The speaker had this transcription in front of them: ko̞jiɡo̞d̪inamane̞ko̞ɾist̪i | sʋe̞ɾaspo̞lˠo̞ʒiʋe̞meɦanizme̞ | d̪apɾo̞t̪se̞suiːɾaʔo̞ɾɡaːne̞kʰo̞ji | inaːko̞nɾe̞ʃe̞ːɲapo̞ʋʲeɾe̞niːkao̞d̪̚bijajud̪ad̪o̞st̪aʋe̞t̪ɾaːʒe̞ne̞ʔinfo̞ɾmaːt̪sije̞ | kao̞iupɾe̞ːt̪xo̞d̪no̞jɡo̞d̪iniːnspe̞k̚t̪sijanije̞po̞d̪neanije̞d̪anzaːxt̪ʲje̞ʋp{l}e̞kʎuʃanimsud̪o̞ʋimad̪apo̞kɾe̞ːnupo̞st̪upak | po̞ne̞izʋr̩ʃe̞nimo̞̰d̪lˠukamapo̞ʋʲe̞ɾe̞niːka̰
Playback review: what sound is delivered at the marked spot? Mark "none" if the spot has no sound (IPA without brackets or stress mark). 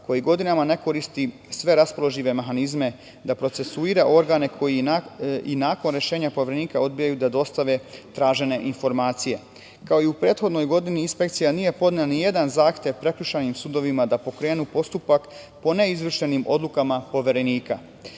ɾ